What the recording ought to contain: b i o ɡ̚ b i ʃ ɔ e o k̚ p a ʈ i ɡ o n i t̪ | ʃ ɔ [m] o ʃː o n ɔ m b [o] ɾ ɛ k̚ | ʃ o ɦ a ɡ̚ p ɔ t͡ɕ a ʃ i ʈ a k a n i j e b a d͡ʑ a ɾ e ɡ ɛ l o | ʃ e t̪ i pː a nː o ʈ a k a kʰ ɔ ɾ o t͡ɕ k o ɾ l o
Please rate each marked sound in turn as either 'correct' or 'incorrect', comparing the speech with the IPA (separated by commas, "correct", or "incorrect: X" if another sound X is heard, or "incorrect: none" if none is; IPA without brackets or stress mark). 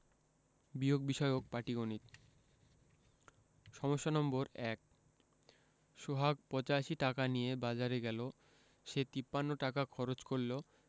correct, correct